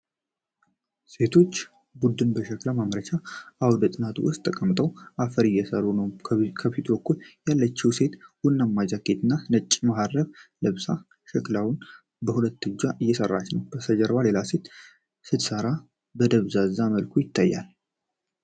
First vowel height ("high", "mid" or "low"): mid